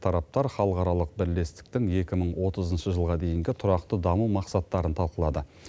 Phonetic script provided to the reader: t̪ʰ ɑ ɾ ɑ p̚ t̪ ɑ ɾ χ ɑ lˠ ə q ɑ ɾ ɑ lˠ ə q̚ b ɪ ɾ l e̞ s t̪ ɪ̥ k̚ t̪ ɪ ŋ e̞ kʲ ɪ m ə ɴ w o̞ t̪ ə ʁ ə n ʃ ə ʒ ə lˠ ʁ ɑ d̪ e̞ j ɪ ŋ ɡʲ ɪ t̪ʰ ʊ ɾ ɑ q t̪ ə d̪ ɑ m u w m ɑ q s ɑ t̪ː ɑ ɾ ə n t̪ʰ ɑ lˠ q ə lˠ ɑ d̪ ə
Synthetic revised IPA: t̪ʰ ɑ ɾ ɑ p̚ t̪ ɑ ɾ χ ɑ lˠ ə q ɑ ɾ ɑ lˠ ə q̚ b ɪ ɾ l e̞ s t̪ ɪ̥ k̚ t̪ ɪ ŋ e̞ kʲ ɪ m ə ɴ w o̞ t̪ ə z ə n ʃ ə ʒ ə lˠ ʁ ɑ d̪ e̞ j ɪ ŋ ɡʲ ɪ t̪ʰ ʊ ɾ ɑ q t̪ ə d̪ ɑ m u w m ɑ q s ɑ t̪ː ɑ ɾ ə n t̪ʰ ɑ lˠ q ə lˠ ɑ d̪ ə